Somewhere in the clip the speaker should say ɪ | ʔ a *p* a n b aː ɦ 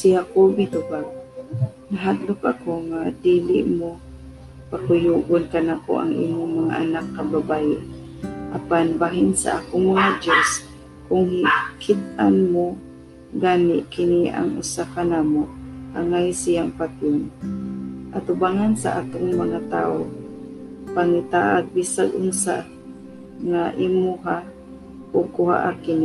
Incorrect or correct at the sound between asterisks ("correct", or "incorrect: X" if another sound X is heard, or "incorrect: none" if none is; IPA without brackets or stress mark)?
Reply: correct